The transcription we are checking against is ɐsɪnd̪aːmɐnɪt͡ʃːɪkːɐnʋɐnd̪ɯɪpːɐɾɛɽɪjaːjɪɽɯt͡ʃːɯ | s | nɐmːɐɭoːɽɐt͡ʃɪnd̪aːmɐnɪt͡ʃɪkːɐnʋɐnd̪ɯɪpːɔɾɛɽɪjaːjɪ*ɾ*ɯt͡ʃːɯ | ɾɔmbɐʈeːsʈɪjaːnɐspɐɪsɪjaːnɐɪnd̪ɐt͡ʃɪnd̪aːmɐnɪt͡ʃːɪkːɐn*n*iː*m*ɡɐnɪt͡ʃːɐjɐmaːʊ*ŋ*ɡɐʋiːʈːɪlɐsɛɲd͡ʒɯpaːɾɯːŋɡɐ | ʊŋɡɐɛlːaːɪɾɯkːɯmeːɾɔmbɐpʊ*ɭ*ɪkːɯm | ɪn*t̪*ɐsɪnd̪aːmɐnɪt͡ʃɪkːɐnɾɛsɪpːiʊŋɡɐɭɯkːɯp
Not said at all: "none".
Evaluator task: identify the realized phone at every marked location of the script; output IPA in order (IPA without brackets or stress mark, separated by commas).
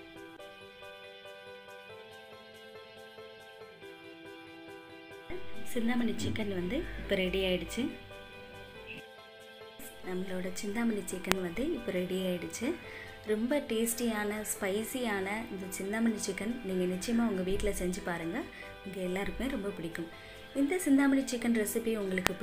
ɽ, n, ŋ, ŋ, ɽ, d̪